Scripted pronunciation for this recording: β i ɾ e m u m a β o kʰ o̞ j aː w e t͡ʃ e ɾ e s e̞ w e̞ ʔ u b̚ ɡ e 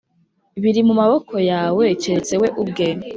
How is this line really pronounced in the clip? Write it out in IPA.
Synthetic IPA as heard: β i ɾ i m u m a β o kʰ o̞ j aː w e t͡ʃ e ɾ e t͡s e̞ w e̞ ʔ u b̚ ɡ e